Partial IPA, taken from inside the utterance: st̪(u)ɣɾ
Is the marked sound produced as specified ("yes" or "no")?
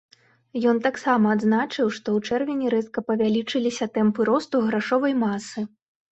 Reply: yes